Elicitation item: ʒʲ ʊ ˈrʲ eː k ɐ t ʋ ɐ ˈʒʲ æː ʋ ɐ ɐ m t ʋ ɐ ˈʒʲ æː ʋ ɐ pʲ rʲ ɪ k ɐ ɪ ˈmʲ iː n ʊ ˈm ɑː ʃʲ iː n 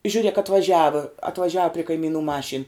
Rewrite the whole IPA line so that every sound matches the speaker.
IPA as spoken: ʒʲ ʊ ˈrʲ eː k ɐ t ʋ ɐ ˈʒʲ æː ʋ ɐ ɐ t ʋ ɐ ˈʒʲ æː ʋ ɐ pʲ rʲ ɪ k ɐ ɪ ˈmʲ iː n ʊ ˈm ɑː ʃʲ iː n